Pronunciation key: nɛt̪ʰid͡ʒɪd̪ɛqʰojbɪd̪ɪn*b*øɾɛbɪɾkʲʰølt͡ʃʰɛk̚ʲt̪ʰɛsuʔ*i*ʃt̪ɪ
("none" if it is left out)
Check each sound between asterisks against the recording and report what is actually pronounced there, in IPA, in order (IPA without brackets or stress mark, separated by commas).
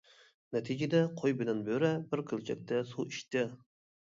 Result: b, i